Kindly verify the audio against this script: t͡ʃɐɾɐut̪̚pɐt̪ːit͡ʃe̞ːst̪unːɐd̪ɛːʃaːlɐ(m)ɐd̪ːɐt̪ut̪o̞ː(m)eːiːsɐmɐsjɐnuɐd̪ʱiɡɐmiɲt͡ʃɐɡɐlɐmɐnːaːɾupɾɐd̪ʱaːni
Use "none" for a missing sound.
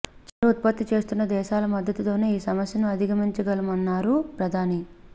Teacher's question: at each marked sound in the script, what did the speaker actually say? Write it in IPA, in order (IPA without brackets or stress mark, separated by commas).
m, n